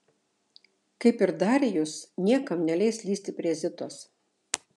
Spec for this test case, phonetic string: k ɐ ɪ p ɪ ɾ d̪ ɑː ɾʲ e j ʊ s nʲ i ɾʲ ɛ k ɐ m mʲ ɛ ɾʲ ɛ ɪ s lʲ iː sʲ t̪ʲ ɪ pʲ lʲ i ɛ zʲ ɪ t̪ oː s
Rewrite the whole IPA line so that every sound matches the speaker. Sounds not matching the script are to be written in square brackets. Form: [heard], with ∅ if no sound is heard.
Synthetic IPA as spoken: k ɐ ɪ p ɪ ɾ d̪ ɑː ɾʲ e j ʊ s nʲ i [∅] ɛ k ɐ m [nʲ] ɛ [lʲ] ɛ ɪ s lʲ iː sʲ t̪ʲ ɪ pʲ [ɾʲ] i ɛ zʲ ɪ t̪ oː s

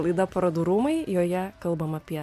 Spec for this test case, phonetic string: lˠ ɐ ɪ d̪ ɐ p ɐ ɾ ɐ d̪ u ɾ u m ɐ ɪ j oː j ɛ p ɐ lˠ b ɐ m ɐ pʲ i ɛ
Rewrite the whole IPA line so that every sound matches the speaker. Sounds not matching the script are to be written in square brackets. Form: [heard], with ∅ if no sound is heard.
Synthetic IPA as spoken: lˠ ɐ ɪ d̪ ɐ p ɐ ɾ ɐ d̪ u ɾ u m ɐ ɪ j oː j ɛ [k] ɐ lˠ b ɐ m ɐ pʲ i ɛ

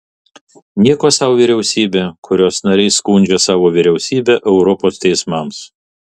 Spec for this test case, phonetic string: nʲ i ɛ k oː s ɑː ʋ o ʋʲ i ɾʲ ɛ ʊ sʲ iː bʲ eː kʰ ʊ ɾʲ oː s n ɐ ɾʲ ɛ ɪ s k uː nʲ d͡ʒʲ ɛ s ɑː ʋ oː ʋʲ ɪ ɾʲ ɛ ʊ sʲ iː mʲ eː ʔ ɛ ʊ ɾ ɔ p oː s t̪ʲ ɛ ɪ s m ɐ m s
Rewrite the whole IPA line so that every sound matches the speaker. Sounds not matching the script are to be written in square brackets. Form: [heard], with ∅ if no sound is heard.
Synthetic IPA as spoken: nʲ i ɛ k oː s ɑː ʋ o ʋʲ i ɾʲ ɛ ʊ sʲ iː bʲ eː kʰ ʊ ɾʲ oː s n ɐ ɾʲ ɛ ɪ s k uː nʲ d͡ʒʲ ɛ s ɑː ʋ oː ʋʲ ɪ ɾʲ ɛ ʊ sʲ iː [bʲ] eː ʔ ɛ ʊ ɾ ɔ p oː s t̪ʲ ɛ ɪ s m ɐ m s

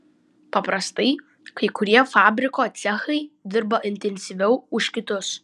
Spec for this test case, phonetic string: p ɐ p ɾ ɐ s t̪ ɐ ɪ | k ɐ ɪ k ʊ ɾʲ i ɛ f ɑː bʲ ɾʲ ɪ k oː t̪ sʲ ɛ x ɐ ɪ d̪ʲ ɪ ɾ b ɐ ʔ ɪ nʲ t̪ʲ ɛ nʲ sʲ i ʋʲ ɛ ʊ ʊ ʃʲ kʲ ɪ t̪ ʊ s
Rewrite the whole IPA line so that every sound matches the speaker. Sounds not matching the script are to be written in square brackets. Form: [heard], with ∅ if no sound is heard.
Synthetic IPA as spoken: p ɐ p ɾ ɐ s t̪ ɐ ɪ | k ɐ ɪ k ʊ ɾʲ i ɛ f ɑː bʲ ɾʲ ɪ k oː t̪ sʲ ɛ x ɐ ɪ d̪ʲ ɪ ɾ b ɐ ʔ ɪ nʲ t̪ʲ ɛ nʲ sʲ i ʋʲ ɛ ʊ ʊ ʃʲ kʲ ɪ t̪ ʊ s

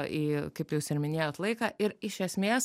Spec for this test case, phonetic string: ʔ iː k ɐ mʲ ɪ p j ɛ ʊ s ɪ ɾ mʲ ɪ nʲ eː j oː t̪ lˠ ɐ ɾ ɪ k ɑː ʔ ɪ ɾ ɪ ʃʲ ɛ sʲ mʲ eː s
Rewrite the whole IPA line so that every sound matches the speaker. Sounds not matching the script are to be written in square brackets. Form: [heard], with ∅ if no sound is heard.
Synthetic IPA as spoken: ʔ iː k ɐ [∅] ɪ p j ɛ ʊ s ɪ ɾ mʲ ɪ nʲ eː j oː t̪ lˠ ɐ [∅] ɪ k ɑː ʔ ɪ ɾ ɪ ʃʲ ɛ sʲ mʲ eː s

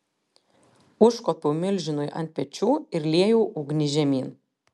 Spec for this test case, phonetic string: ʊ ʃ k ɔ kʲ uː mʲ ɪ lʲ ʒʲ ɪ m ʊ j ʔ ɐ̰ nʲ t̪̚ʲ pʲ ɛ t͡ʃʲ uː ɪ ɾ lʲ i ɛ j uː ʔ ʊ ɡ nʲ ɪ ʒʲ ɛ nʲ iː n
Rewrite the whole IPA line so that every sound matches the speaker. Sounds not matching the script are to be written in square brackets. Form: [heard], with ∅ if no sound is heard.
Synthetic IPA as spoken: ʊ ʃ k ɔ [pʲ] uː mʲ ɪ lʲ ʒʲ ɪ [n] ʊ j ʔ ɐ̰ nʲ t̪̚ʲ pʲ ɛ t͡ʃʲ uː ɪ ɾ lʲ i ɛ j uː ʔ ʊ ɡ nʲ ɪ ʒʲ ɛ [mʲ] iː n

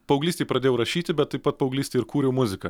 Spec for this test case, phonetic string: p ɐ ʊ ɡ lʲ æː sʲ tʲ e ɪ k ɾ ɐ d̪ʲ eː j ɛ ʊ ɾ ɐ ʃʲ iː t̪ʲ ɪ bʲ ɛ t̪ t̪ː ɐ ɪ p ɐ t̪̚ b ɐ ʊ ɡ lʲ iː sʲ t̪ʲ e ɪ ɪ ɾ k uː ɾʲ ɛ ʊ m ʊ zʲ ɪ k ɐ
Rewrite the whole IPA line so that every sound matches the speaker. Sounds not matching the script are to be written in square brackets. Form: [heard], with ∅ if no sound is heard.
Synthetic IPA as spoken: p ɐ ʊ ɡ lʲ [iː] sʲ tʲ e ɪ [p] ɾ ɐ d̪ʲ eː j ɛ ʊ ɾ ɐ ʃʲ iː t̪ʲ ɪ bʲ ɛ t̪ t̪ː ɐ ɪ p ɐ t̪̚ [p] ɐ ʊ ɡ lʲ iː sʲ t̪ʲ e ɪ ɪ ɾ k uː ɾʲ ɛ ʊ m ʊ zʲ ɪ k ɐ

